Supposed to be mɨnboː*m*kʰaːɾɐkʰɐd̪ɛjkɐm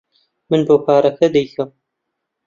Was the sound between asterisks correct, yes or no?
no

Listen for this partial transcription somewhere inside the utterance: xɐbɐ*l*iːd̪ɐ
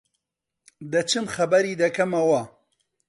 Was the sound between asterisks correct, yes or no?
no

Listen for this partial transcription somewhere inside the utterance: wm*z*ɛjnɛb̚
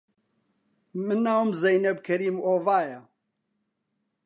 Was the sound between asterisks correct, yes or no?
yes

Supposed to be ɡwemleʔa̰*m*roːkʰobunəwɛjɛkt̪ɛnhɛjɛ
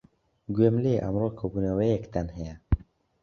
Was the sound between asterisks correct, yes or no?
yes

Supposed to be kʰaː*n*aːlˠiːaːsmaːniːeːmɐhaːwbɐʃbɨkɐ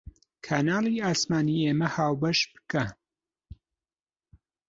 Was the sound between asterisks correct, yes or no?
yes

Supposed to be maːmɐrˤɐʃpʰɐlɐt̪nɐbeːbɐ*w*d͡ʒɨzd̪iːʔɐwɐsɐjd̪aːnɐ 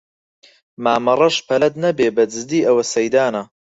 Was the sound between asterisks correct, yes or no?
no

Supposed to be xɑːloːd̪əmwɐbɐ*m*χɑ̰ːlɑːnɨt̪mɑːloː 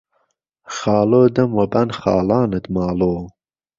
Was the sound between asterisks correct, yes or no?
no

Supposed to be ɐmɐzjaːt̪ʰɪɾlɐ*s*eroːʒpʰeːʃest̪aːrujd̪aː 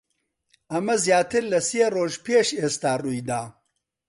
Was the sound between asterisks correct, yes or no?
yes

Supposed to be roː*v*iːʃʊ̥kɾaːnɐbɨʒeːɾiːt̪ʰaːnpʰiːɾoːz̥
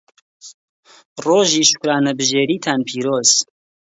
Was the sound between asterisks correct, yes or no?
no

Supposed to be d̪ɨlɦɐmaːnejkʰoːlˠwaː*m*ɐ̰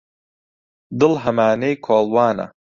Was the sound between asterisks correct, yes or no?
no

